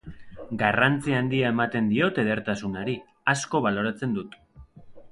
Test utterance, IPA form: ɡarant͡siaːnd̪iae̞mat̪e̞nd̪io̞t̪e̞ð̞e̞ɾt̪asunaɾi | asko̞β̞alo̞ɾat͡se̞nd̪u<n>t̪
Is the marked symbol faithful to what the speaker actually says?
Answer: no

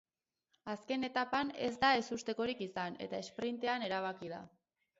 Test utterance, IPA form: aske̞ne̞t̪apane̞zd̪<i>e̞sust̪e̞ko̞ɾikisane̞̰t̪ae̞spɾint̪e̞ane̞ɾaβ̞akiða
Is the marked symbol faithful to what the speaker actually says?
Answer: no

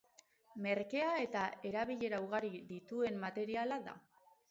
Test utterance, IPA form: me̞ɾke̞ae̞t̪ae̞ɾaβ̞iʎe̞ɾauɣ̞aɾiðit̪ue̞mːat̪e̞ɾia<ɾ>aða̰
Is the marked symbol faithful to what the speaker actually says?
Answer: no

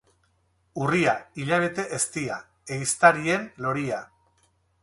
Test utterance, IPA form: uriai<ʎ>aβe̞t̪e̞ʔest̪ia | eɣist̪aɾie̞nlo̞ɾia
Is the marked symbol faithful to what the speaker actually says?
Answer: yes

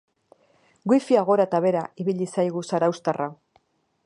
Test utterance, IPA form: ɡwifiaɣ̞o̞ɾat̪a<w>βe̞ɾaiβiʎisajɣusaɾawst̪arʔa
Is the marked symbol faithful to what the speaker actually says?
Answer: no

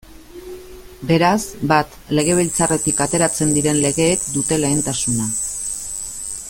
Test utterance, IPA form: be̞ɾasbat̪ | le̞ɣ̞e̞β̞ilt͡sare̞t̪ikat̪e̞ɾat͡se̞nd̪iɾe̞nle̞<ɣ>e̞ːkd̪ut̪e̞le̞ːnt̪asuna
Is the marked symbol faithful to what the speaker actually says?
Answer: yes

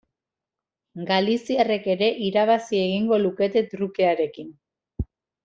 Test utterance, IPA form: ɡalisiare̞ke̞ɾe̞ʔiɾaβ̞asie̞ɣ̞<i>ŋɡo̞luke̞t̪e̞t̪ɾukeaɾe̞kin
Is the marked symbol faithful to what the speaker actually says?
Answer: yes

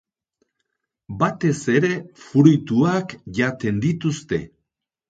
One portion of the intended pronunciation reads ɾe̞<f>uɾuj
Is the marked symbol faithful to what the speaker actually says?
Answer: yes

